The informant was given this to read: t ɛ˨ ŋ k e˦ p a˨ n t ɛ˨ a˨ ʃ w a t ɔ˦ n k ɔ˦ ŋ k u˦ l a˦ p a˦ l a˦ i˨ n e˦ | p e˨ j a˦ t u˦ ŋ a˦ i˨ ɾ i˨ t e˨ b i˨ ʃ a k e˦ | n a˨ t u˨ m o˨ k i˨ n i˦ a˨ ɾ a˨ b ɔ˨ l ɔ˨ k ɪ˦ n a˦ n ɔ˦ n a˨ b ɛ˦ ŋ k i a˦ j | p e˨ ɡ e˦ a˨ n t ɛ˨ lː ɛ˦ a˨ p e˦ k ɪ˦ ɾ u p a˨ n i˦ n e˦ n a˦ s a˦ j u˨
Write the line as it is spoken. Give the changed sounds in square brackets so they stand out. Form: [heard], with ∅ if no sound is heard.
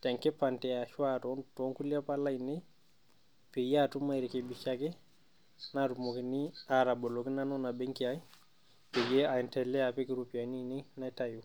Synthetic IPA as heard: t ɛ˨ ŋ k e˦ p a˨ n t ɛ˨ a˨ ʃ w a t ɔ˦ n [t] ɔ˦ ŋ k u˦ l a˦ p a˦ l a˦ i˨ n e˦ | p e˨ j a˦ t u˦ [m] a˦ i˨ ɾ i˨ [k] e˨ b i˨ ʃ a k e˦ | n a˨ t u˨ m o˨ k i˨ n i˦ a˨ ɾ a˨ b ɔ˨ l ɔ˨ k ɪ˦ n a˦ n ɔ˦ n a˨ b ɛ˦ ŋ k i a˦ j | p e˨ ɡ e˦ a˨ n t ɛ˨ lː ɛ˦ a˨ p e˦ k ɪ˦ ɾ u p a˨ n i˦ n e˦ n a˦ [t] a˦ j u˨